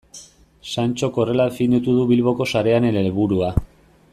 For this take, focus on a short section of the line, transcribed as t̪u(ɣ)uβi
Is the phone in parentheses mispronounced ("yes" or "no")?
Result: yes